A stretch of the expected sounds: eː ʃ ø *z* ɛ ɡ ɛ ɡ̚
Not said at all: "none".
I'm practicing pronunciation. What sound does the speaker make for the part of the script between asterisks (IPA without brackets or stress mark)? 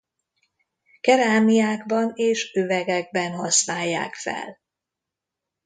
v